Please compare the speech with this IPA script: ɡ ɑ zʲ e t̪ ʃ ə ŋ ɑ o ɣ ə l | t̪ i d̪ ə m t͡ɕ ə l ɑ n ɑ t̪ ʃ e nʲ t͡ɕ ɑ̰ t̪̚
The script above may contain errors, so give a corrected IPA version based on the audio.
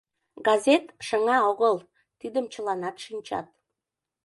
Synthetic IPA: ɡ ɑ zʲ e t̪ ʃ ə ŋ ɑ o ɣ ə l | t̪ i d̪ ə m t͡ɕ ə l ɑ n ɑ t̪ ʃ i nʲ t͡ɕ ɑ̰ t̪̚